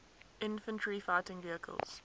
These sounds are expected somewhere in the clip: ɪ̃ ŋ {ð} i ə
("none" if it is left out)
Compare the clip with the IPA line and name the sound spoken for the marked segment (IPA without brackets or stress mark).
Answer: v